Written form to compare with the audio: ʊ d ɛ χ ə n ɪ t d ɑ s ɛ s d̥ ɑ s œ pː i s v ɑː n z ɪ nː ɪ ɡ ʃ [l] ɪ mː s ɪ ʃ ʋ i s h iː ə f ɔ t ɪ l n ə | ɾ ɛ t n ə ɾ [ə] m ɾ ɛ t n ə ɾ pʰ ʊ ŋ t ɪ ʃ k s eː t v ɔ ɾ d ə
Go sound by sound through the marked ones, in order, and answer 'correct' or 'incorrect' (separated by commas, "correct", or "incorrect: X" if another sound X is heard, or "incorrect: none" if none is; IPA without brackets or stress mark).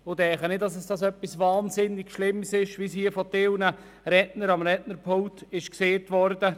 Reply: correct, incorrect: ɑ